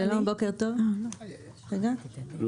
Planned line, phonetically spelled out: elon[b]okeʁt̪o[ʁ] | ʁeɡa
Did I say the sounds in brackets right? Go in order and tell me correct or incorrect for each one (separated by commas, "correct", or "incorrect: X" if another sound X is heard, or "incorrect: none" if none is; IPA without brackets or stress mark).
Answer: correct, incorrect: v